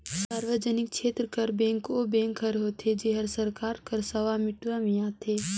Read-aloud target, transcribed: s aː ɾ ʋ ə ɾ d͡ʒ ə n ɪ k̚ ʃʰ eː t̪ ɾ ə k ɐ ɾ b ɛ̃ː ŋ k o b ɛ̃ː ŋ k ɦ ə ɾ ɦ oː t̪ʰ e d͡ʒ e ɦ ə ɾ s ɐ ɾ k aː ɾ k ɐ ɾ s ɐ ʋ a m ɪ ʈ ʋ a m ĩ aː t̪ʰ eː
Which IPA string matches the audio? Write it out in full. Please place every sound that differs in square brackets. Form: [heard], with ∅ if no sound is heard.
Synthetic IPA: s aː ɾ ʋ ə [∅] d͡ʒ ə n ɪ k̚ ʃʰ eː t̪ ɾ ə k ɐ ɾ b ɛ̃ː ŋ k o b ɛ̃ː ŋ k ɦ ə ɾ ɦ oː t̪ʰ e d͡ʒ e ɦ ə ɾ s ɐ ɾ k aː ɾ k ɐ ɾ s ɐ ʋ a m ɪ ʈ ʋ a m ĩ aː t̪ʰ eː